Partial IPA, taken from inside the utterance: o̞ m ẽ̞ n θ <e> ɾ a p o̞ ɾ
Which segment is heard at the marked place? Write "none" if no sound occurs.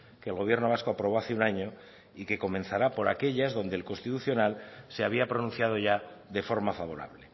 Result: a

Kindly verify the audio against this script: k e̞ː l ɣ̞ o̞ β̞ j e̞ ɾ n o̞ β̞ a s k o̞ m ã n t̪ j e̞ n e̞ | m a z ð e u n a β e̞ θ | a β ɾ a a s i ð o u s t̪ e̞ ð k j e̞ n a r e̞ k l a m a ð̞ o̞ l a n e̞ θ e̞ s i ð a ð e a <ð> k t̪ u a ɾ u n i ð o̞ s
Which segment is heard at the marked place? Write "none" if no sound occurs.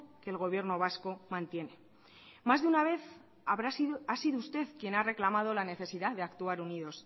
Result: none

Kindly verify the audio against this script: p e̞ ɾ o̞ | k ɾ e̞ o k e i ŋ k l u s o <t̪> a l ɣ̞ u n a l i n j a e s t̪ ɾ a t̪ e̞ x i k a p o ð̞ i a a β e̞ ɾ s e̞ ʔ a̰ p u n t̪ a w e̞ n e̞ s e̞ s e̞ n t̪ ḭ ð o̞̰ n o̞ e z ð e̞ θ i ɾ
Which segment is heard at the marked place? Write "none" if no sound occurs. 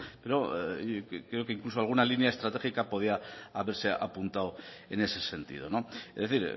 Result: none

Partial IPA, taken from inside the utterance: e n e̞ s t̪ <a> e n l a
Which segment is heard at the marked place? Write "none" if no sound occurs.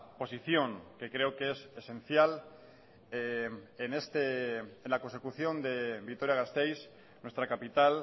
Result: e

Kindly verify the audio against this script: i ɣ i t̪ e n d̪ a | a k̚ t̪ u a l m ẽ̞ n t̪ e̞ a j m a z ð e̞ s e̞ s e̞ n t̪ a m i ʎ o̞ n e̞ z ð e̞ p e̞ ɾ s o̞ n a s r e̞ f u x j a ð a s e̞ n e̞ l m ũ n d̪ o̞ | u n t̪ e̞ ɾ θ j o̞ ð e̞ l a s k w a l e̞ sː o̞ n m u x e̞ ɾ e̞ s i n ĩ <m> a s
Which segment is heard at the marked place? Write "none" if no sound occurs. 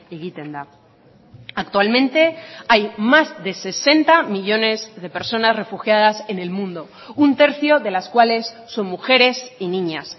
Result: ɲ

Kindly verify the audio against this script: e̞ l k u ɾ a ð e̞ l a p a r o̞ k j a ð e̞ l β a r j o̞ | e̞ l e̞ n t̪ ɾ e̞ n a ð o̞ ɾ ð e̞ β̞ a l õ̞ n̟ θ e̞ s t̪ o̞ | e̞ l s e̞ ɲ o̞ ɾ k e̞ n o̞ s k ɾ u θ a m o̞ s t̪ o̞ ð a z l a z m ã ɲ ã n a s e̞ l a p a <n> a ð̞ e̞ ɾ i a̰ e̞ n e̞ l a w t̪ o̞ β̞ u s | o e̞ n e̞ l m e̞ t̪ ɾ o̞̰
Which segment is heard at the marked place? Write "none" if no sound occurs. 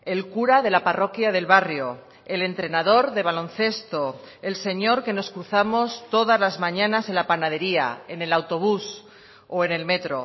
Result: n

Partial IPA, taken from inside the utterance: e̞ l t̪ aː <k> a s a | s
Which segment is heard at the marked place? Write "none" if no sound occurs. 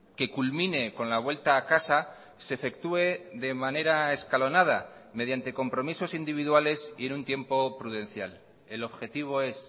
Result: k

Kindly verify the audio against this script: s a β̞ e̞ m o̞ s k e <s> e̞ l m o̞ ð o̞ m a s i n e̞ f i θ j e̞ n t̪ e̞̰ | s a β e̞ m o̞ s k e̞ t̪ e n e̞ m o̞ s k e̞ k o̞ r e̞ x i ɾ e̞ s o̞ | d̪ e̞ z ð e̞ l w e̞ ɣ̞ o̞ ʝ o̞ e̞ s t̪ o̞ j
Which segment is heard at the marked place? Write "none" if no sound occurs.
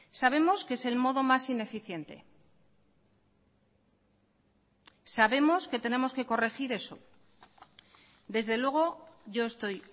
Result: s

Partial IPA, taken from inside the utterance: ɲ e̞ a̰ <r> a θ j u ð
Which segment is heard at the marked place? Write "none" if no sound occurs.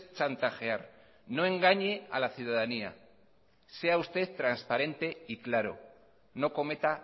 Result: l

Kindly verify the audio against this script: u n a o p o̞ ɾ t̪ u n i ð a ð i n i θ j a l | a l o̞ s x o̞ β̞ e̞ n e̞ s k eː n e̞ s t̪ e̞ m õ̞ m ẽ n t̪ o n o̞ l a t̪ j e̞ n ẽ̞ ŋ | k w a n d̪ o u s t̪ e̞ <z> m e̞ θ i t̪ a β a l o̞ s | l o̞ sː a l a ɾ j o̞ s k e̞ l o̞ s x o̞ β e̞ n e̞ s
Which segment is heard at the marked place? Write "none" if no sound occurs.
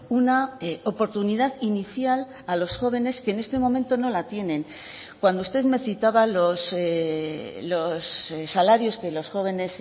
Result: ð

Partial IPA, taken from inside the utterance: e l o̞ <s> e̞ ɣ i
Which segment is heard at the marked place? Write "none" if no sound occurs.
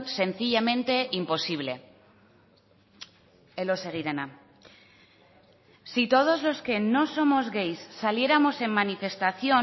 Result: s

